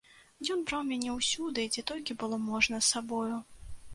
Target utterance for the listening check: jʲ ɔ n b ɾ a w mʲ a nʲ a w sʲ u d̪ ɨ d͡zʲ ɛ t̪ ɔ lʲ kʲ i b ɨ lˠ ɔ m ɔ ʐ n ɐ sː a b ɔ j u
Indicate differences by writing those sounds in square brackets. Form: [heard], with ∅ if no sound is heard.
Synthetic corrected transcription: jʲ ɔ n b ɾ a w mʲ a nʲ [ɛ] w sʲ u d̪ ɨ d͡zʲ ɛ t̪ ɔ lʲ kʲ i b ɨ lˠ ɔ m ɔ ʐ n ɐ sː a b ɔ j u